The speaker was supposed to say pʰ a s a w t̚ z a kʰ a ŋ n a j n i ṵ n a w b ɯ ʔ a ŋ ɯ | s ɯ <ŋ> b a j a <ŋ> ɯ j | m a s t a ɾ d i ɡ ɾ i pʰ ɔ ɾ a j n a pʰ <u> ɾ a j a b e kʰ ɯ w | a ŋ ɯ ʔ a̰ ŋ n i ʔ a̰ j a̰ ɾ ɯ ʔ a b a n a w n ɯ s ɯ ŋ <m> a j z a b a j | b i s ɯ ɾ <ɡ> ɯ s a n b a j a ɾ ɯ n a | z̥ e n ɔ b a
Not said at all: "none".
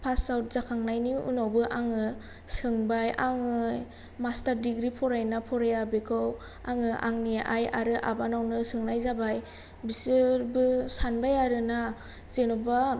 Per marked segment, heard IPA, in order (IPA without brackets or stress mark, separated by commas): ŋ, ŋ, ɔ, n, b